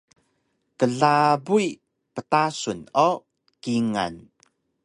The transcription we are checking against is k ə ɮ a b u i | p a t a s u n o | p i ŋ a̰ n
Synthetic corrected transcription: k ə ɮ a b u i | p ə t a s u n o | k i ŋ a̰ n